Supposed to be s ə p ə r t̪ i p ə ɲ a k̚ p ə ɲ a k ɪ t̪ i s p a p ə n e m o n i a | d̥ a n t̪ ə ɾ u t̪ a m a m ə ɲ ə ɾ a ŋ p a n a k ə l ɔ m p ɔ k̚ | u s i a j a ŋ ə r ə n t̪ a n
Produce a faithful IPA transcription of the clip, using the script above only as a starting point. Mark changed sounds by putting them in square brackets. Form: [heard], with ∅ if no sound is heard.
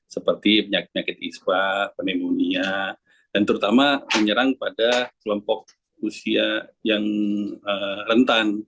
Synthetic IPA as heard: s ə p ə r t̪ i p ə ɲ a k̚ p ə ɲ a k ɪ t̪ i s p a p ə n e m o n i a | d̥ a n t̪ ə ɾ u t̪ a m a m ə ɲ ə ɾ a ŋ p a [d] a k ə l ɔ m p ɔ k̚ | u s i a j a ŋ ə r ə n t̪ a n